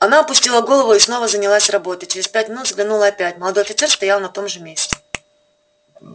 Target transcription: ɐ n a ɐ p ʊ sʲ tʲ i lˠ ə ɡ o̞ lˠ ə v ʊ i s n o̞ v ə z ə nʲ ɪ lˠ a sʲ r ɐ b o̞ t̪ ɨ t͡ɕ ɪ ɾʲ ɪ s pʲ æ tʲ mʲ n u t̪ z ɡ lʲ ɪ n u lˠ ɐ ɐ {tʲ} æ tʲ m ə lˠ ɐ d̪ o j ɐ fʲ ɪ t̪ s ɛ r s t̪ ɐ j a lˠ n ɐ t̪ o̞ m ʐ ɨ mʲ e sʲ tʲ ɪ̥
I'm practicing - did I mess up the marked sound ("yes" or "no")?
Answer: yes